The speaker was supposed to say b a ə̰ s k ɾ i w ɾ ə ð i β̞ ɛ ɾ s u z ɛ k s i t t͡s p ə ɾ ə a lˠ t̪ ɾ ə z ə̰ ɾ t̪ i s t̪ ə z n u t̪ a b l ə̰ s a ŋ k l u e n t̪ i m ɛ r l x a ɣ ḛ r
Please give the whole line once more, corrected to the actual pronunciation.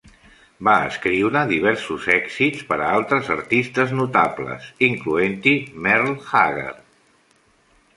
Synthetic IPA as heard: b a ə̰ s k ɾ i w ɾ ə ð i β̞ ɛ ɾ s u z ɛ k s i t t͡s p ə ɾ ə a lˠ t̪ ɾ ə z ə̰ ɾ t̪ i s t̪ ə z n u t̪ a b l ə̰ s i ŋ k l u e n t̪ i m ɛ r l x a ɣ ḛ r